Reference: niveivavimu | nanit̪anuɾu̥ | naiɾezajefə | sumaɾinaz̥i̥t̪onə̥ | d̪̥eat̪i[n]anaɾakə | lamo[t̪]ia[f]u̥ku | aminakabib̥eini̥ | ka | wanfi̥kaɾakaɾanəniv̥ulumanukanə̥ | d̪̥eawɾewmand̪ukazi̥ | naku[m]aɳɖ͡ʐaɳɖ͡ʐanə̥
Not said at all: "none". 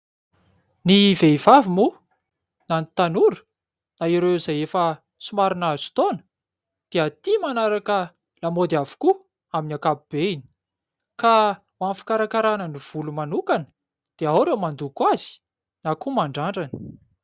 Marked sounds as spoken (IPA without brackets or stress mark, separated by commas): m, d̪, v, m